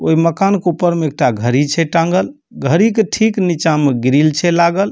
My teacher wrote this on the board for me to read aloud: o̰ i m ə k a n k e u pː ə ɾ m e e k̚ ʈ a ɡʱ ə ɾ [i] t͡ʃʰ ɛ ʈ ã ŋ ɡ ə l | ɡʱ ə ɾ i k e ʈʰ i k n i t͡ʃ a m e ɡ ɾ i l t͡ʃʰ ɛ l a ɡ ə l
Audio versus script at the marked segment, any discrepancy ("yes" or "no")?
no